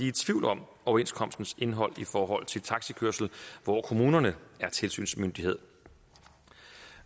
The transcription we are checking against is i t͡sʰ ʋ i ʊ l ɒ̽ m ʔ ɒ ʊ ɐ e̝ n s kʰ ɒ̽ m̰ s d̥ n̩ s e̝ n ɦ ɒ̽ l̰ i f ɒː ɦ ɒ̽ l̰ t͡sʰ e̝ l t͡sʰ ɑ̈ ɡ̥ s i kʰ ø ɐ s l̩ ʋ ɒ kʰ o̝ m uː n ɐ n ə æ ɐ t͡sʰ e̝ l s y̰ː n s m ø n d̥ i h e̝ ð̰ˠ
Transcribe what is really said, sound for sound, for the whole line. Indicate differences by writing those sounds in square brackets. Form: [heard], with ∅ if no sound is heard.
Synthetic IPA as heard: i t͡sʰ ʋ i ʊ l ɒ̽ m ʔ ɒ ʊ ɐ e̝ n s kʰ ɒ̽ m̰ s d̥ n̩ s e̝ n ɦ ɒ̽ l̰ i f ɒː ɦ ɒ̽ l̰ t͡sʰ e̝ l t͡sʰ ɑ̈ ɡ̥ s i kʰ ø ɐ s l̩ ʋ ɒ kʰ o̝ m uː n ɐ n ə æ ɐ t͡sʰ e̝ l s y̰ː n s m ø n d̥ i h e̝ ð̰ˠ